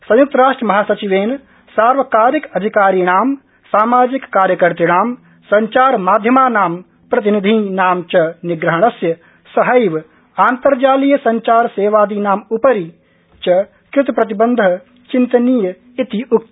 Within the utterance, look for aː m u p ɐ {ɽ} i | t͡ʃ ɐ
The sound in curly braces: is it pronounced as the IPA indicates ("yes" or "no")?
no